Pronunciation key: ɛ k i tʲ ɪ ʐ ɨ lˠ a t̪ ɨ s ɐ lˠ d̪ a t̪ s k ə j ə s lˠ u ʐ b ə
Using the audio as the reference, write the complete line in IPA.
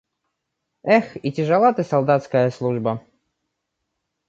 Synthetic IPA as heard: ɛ x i tʲ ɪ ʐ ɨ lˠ a t̪ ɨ s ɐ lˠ d̪ a t̪ s k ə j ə s lˠ u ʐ b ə